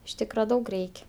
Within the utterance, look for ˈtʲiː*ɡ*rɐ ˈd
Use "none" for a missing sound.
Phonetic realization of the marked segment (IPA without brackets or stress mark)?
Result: k